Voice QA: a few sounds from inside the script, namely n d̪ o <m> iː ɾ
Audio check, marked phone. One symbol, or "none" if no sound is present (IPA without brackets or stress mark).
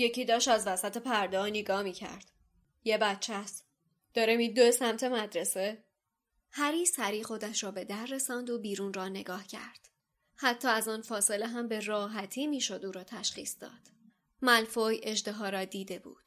b